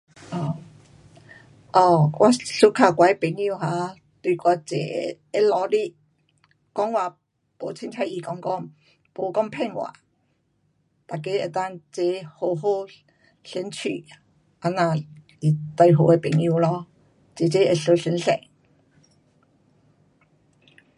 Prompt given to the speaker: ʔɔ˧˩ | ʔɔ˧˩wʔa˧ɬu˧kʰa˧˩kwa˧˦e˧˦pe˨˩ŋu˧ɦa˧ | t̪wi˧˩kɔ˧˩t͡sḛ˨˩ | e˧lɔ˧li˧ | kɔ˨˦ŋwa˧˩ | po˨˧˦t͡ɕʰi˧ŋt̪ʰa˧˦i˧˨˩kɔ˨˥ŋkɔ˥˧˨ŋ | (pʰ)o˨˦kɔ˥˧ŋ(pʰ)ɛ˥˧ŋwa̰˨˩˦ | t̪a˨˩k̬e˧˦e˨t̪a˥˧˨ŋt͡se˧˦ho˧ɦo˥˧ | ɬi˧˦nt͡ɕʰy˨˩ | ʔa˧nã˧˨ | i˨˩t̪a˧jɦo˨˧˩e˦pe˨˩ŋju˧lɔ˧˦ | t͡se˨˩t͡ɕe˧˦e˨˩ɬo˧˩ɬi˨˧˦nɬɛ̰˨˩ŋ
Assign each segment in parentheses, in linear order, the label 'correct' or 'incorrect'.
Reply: incorrect, correct

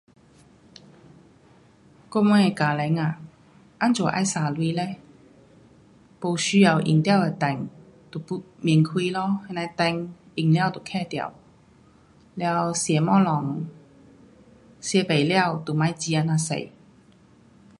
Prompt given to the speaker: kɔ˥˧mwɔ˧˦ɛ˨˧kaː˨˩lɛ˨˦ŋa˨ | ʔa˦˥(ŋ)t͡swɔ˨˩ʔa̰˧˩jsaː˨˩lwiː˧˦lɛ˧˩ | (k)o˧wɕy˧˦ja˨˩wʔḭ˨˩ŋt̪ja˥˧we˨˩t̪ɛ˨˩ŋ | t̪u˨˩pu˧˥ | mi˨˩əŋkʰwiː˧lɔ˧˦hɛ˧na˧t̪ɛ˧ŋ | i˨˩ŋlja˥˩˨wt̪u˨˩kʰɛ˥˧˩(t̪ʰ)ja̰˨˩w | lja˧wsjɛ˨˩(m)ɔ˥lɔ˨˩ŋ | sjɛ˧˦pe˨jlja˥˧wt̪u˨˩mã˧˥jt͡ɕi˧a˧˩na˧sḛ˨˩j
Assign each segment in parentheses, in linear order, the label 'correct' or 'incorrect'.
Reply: incorrect, incorrect, incorrect, correct

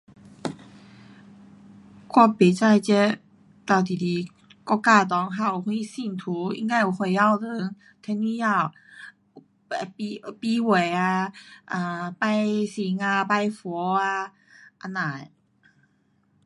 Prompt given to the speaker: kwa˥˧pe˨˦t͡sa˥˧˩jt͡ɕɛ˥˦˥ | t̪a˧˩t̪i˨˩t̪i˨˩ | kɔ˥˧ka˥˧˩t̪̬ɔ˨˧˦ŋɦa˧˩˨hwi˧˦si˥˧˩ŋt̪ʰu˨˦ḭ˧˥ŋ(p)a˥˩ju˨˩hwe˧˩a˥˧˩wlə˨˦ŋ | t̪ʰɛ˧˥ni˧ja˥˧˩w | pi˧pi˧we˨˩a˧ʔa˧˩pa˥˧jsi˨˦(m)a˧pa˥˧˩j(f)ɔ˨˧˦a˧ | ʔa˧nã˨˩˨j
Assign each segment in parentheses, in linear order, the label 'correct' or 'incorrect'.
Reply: incorrect, incorrect, correct

